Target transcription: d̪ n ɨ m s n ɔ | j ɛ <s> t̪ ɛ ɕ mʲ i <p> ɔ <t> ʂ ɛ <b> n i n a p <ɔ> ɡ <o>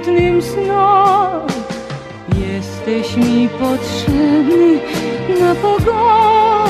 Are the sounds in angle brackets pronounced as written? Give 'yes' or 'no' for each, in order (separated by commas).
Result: yes, yes, yes, yes, yes, no